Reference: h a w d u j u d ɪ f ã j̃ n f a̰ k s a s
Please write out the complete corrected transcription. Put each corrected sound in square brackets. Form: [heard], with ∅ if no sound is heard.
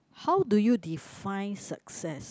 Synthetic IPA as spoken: h a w d u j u d [i] f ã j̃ n [s] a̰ k s [ɛ] s